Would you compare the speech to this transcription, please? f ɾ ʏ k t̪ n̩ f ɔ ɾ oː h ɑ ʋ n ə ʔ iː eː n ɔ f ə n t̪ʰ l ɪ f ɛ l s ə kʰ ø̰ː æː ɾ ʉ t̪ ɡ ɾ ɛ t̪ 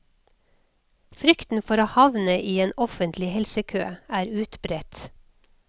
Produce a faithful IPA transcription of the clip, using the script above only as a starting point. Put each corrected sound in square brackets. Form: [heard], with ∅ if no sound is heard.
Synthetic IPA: f ɾ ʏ k t̪ n̩ f ɔ ɾ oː h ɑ ʋ n ə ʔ iː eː n ɔ f ə n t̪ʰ l ɪ [h] ɛ l s ə kʰ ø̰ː æː ɾ [ʉː] t̪ [b] ɾ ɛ t̪